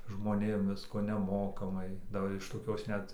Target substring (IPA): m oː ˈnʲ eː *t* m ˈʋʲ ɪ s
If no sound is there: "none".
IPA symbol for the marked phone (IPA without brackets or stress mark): none